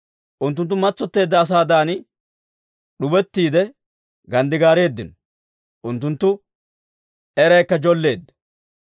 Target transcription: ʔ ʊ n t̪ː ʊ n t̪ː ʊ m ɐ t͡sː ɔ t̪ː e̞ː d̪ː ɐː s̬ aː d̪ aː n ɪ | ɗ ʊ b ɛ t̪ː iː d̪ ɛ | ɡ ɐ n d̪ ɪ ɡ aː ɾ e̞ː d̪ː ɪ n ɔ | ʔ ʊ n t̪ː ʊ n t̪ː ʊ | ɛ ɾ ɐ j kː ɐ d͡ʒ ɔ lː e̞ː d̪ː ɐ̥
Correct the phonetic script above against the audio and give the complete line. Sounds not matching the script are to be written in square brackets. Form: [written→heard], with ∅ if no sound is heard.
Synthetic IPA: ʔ ʊ n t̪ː ʊ n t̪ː ʊ m ɐ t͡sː ɔ t̪ː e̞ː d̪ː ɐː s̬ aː d̪ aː n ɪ | ɗ ʊ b ɛ t̪ː iː d̪ ɛ | ɡ ɐ n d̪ ɪ ɡ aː ɾ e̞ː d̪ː ɪ n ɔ | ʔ ʊ n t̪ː ʊ n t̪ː ʊ | ɛ ɾ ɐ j kː ɐ d͡ʒ ɔ lː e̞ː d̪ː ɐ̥